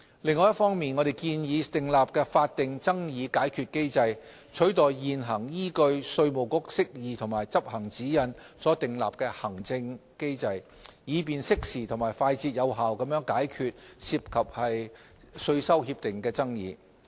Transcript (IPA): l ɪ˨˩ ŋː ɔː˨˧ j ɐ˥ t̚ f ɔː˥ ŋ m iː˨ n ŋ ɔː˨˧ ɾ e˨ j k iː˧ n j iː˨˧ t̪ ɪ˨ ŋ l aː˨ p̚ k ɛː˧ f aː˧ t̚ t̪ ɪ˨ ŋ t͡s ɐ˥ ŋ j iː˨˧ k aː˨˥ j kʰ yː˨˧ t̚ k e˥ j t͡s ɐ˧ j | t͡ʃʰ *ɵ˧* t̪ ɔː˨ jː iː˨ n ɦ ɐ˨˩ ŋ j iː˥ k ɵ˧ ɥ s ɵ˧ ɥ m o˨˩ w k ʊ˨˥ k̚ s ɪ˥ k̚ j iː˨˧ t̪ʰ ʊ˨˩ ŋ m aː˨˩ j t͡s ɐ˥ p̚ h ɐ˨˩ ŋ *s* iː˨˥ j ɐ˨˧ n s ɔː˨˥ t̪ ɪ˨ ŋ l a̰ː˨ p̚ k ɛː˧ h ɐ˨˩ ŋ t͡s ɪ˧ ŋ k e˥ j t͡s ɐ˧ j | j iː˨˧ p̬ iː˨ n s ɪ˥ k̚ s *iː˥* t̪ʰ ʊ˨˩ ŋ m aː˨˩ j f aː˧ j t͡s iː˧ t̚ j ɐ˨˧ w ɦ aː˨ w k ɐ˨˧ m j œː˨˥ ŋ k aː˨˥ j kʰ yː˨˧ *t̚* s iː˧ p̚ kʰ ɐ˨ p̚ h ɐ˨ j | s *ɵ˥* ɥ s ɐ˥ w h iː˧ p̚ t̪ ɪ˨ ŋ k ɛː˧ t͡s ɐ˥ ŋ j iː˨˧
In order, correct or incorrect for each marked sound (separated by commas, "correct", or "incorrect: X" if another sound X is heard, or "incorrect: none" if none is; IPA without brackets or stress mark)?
incorrect: ɵ˨˥, incorrect: t͡s, incorrect: iː˨, correct, incorrect: ɵ˧